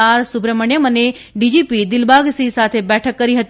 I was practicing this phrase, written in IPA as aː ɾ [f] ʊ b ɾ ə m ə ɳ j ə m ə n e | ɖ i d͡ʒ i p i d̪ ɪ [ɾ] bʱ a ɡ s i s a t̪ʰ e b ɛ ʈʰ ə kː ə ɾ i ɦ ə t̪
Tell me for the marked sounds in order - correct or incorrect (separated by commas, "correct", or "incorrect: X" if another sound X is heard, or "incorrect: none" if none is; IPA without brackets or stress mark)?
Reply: incorrect: s, incorrect: l